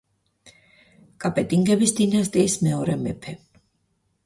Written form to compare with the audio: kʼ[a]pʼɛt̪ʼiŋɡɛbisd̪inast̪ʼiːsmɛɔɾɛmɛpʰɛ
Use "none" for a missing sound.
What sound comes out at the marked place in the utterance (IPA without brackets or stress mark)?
a